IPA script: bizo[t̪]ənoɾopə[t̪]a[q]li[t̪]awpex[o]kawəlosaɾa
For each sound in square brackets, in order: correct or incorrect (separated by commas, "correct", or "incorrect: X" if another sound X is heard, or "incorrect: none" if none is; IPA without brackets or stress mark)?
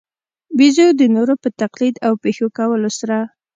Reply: incorrect: d̪, correct, correct, incorrect: d̪, correct